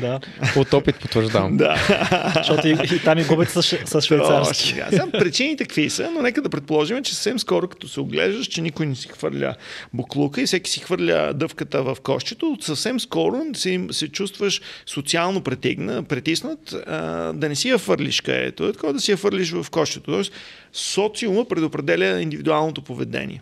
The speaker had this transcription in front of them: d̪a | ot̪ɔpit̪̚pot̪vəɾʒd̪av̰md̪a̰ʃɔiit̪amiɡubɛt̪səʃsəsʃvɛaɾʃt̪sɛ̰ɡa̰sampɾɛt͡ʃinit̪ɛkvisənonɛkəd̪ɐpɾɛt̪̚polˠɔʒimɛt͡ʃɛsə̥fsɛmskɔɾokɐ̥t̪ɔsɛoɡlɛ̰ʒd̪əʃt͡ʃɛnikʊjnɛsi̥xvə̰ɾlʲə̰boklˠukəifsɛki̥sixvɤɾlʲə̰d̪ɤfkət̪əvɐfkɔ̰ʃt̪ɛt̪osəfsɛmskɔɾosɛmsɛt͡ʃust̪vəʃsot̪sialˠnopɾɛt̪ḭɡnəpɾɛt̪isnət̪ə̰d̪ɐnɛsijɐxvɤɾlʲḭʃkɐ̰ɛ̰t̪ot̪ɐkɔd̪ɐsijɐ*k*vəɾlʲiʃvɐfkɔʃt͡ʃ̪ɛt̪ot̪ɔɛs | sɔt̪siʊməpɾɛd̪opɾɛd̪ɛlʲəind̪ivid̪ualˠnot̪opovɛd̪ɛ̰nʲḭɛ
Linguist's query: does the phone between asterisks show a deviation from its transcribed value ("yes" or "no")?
yes